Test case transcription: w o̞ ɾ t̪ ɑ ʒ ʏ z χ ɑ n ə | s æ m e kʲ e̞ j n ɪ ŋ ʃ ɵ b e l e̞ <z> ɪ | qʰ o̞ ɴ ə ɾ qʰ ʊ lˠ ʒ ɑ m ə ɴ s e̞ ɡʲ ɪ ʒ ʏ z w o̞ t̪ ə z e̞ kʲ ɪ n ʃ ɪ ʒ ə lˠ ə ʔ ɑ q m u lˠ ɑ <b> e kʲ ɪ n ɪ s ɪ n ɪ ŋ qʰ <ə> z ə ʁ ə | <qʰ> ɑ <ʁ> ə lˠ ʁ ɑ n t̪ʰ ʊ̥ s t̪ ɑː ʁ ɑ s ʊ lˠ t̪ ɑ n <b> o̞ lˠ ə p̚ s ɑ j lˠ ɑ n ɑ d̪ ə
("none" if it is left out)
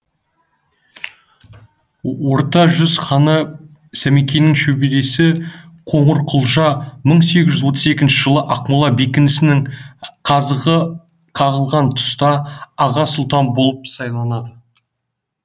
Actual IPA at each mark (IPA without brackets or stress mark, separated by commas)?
s, b, ɑ, qʰ, ʁ, b